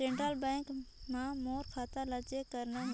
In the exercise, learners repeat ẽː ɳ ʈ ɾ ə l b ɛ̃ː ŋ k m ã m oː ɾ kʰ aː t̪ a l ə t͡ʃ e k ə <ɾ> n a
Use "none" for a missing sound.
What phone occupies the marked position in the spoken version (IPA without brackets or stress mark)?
ɾ